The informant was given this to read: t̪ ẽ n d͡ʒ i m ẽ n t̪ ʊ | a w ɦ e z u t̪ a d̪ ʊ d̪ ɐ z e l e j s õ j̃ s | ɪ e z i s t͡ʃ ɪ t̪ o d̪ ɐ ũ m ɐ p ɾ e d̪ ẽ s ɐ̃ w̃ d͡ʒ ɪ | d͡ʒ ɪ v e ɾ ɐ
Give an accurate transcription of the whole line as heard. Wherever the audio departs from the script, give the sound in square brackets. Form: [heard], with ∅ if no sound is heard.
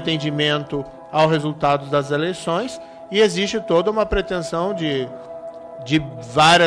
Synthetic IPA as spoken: t̪ ẽ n d͡ʒ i m ẽ n t̪ ʊ | a w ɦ e z u t̪ a d̪ ʊ d̪ ɐ z e l e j s õ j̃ s | ɪ e z i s t͡ʃ ɪ t̪ o d̪ ɐ ũ m ɐ p ɾ e [t̪] ẽ s ɐ̃ w̃ d͡ʒ ɪ | d͡ʒ ɪ v [a] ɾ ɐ

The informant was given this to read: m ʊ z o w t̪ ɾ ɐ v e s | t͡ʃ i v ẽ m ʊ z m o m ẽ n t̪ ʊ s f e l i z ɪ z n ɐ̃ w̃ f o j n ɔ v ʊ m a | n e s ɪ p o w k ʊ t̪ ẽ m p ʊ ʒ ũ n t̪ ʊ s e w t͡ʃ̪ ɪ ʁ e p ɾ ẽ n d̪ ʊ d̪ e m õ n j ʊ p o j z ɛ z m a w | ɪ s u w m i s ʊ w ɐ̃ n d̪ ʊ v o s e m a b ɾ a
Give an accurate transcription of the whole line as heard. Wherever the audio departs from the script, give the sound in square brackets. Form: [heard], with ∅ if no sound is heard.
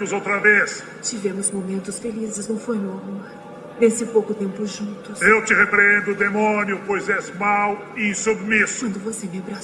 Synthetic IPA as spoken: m ʊ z o w t̪ ɾ ɐ v e s | t͡ʃ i v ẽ m ʊ z m o m ẽ n t̪ ʊ s f e l i z ɪ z n ɐ̃ w̃ f o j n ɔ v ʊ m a | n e s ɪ p o w k ʊ t̪ ẽ m p ʊ ʒ ũ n t̪ ʊ s e w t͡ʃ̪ ɪ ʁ e p ɾ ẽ n d̪ ʊ d̪ e m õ n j ʊ p o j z ɛ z m a w | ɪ s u [b] m i s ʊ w ɐ̃ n d̪ ʊ v o s e m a b ɾ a

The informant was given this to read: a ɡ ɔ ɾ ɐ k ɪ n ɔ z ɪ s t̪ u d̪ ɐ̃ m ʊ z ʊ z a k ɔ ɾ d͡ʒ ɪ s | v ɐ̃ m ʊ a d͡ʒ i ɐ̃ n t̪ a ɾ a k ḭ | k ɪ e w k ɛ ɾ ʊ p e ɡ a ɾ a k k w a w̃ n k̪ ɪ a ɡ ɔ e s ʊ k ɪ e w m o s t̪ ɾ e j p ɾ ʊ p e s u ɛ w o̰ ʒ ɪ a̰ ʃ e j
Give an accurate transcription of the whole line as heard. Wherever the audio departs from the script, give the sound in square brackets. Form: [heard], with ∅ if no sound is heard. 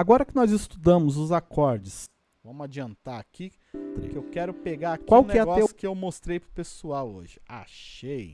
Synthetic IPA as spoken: a ɡ ɔ ɾ ɐ k ɪ n ɔ z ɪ s t̪ u d̪ ɐ̃ m ʊ z ʊ z a k ɔ ɾ d͡ʒ ɪ s | v ɐ̃ m ʊ a d͡ʒ i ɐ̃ n t̪ a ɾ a k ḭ | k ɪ e w k ɛ ɾ ʊ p e ɡ a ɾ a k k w a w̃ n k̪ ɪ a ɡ ɔ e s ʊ k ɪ e w m o s t̪ ɾ e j p ɾ ʊ p e s u [a] w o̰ ʒ ɪ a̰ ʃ e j

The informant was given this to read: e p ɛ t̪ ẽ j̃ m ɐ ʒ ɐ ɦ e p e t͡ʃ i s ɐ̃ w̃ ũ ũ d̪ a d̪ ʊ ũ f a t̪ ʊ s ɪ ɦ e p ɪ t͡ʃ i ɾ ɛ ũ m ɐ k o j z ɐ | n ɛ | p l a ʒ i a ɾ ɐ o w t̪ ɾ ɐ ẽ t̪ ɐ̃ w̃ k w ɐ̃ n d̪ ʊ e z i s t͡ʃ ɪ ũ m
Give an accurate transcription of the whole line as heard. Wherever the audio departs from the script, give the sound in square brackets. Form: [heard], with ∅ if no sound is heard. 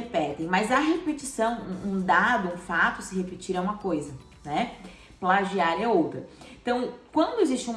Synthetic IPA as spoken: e p ɛ t̪ ẽ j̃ m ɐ [z] ɐ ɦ e p e t͡ʃ i s ɐ̃ w̃ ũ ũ d̪ a d̪ ʊ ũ f a t̪ ʊ s ɪ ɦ e p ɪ t͡ʃ i ɾ ɛ ũ m ɐ k o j z ɐ | n ɛ | p l a ʒ i a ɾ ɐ o w t̪ ɾ ɐ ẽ t̪ ɐ̃ w̃ k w ɐ̃ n d̪ ʊ e z i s t͡ʃ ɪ ũ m

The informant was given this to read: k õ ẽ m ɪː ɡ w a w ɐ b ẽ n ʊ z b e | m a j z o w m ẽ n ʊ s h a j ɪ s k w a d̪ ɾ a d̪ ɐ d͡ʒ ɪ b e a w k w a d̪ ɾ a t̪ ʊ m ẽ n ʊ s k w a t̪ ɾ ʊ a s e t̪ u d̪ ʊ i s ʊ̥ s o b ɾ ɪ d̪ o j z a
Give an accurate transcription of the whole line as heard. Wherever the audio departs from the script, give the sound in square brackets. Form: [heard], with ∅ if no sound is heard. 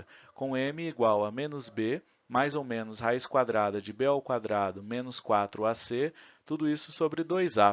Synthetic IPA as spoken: k õ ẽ m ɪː ɡ w a w ɐ [m] ẽ n ʊ z b e | m a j z o w m ẽ n ʊ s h a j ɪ s k w a d̪ ɾ a d̪ ɐ d͡ʒ ɪ b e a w k w a d̪ ɾ a [d̪] ʊ m ẽ n ʊ s k w a t̪ ɾ ʊ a s e t̪ u d̪ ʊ i s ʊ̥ s o b ɾ ɪ d̪ o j z a

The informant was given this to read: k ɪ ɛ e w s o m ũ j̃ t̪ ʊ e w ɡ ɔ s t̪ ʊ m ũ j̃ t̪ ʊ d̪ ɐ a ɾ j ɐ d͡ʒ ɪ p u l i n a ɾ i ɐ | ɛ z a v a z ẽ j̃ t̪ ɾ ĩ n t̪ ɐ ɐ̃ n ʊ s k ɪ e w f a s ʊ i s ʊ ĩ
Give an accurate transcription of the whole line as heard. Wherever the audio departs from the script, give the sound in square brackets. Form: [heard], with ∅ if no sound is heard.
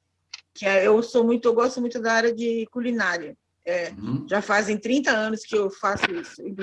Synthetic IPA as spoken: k ɪ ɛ e w s o m ũ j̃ t̪ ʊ e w ɡ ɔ s t̪ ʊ m ũ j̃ t̪ ʊ d̪ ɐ a ɾ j ɐ d͡ʒ ɪ [k] u l i n a ɾ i ɐ | ɛ [ʒ] a [f] a z ẽ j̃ t̪ ɾ ĩ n t̪ ɐ ɐ̃ n ʊ s k ɪ e w f a s ʊ i s ʊ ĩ

